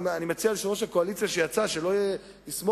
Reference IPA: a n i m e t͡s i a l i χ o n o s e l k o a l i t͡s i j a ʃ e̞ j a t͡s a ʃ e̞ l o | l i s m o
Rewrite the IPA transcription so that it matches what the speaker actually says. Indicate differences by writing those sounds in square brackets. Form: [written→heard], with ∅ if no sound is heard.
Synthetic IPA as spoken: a n i m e t͡s i a l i [χ→ʃ] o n o [s→ʃ] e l k o a l i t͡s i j a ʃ e̞ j a t͡s a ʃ e̞ l o | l i s m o

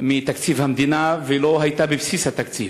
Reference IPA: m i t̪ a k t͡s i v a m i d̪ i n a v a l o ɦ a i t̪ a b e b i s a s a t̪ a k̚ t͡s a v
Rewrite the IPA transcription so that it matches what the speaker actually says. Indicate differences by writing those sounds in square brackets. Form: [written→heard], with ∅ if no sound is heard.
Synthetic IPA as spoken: m i t̪ a k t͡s i v a m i d̪ i n a v [a→e] l o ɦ a i t̪ a b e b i s [a→i] s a t̪ a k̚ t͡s [a→i] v

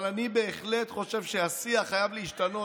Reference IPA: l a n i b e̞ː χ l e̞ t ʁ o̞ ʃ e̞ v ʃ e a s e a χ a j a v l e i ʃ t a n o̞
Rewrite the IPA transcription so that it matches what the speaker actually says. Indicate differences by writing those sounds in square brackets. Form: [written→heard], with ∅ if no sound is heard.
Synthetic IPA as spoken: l a n i b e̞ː χ l e̞ t [ʁ→χ] o̞ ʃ e̞ v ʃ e a s [e→i] a χ a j a v l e i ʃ t a n o̞

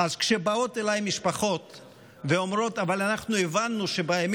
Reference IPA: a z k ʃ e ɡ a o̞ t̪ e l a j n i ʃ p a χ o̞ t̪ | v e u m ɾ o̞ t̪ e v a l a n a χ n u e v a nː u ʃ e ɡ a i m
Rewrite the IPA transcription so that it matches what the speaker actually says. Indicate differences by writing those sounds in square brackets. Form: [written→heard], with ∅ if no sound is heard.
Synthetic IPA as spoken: a z k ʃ e [ɡ→b] a o̞ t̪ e l a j [n→m] i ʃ p a χ o̞ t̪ | v e [u→o] m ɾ o̞ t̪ [e→a] v a l a n a χ n u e v a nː u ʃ e [ɡ→b] a [i→e] m

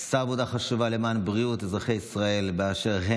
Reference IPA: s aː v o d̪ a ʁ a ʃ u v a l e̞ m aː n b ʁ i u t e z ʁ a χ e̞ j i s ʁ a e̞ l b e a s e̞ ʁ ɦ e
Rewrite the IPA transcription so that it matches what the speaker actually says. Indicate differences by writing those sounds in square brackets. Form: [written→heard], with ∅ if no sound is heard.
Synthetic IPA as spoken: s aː v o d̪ a [ʁ→χ] a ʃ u v a l e̞ m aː n b ʁ i u t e z ʁ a χ e̞ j i s ʁ a e̞ l b e a [s→ʃ] e̞ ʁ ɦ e

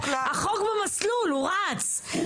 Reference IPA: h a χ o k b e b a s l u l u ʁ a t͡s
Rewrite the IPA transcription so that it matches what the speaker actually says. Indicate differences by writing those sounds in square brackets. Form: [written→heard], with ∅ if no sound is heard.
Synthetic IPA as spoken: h a χ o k b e [b→m] a s l u l u ʁ a t͡s

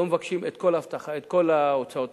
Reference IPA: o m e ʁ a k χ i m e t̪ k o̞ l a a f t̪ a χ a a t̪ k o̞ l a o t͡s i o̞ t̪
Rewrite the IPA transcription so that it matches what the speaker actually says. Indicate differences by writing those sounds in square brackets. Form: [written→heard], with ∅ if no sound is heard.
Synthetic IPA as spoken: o m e [ʁ→v] a k [χ→ʃ] i m e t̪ k o̞ l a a f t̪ a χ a [a→e] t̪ k o̞ l a o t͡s [i→a] o̞ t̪

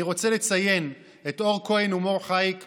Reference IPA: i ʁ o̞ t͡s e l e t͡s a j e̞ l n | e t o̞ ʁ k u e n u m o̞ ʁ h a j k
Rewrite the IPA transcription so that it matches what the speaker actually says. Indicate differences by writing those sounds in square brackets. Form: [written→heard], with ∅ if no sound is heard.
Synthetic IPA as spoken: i ʁ o̞ t͡s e l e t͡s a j e̞ [l→∅] n | e t o̞ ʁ k [u→o] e n u m o̞ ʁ [h→χ] a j k

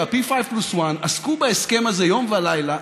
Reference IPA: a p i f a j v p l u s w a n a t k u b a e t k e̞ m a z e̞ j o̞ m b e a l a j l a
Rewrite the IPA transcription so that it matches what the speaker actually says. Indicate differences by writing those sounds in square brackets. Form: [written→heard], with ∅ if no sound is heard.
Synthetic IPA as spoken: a p i f a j v p l u s w a n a [t→s] k u b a e [t→s] k e̞ m a z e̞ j o̞ m [b→v] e a l a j l a

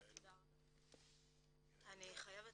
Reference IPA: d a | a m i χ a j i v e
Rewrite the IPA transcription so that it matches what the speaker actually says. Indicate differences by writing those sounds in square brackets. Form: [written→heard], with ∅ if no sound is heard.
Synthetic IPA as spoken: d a | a [m→n] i χ a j [i→a] v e

